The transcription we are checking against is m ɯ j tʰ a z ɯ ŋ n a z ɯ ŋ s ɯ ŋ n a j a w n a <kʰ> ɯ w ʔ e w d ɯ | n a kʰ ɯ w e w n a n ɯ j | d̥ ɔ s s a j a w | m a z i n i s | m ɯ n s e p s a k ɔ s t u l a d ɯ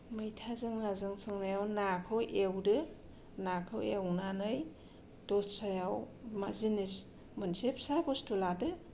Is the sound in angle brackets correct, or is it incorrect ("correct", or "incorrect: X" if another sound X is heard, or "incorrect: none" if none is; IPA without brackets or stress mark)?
correct